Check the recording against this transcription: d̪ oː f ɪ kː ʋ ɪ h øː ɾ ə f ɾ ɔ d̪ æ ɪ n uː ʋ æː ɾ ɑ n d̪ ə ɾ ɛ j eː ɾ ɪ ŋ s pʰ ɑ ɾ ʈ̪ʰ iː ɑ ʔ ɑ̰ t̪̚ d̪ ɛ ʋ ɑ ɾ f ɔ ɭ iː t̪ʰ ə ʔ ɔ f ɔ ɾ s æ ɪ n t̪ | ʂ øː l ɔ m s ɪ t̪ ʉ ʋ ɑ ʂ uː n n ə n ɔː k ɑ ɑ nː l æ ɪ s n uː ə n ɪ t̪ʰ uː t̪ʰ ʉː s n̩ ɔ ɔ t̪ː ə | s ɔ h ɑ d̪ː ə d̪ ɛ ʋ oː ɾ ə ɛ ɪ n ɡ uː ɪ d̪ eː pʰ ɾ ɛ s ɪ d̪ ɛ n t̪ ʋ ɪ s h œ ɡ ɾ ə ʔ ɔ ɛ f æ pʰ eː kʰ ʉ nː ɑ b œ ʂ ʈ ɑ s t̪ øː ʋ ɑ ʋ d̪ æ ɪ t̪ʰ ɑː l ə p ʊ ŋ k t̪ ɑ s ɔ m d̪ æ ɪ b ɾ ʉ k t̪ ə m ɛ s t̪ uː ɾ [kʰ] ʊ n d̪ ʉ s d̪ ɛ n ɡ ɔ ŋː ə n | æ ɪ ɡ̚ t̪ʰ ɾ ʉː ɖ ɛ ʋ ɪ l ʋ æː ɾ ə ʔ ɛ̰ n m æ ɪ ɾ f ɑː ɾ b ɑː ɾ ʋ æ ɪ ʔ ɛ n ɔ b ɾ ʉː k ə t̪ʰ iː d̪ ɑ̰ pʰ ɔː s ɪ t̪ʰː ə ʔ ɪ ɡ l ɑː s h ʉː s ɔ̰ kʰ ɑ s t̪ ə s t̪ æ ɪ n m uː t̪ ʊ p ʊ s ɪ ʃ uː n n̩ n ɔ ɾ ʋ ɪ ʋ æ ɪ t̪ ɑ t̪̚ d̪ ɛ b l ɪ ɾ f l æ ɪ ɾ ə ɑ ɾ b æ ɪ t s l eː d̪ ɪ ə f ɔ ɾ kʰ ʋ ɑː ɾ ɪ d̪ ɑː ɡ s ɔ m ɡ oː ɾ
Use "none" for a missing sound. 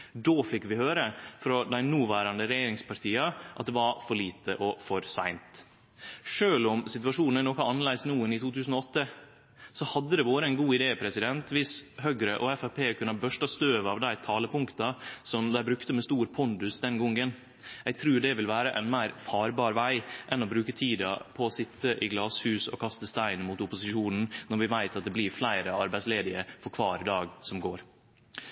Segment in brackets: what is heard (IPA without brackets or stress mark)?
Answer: pʰ